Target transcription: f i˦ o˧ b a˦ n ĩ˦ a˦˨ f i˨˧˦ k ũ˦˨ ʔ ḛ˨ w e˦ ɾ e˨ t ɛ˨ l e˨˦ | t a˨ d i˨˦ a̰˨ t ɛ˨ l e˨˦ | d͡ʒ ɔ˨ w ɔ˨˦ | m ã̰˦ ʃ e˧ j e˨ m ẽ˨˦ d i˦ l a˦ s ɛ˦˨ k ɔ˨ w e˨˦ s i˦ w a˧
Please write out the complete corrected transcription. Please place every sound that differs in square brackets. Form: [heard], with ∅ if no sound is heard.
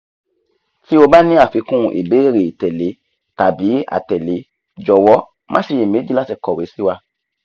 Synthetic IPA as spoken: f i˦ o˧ b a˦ n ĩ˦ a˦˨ f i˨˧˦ k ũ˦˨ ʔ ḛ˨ [b] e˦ ɾ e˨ t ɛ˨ l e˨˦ | t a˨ [b] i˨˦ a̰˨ t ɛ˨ l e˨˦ | d͡ʒ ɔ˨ w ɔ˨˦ | m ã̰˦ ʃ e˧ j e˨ m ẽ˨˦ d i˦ l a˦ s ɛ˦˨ k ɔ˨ w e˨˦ s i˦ w a˧